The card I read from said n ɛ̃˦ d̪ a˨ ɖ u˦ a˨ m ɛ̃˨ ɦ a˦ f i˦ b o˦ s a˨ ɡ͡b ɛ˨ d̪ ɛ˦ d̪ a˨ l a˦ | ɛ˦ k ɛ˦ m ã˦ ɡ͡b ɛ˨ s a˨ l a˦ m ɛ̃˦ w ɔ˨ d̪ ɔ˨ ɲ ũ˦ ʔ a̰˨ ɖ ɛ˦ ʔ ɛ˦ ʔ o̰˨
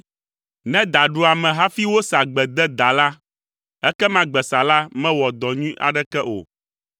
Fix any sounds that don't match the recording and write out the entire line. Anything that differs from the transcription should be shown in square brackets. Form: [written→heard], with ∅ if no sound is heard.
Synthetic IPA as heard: n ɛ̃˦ d̪ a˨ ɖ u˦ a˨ m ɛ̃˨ ɦ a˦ f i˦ [b→w] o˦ s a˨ ɡ͡b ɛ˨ d̪ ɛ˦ d̪ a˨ l a˦ | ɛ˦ k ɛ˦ m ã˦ ɡ͡b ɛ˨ s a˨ l a˦ m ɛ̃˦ w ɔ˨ d̪ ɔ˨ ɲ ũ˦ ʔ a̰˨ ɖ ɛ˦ [ʔ→k] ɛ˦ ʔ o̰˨